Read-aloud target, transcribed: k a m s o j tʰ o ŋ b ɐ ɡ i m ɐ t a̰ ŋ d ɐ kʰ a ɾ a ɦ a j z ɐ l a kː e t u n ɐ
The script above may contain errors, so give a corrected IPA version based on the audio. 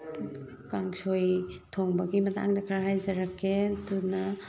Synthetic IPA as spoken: k a ŋ s o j tʰ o ŋ b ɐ ɡ i m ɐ t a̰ ŋ d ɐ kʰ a ɾ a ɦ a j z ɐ ɾ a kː e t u n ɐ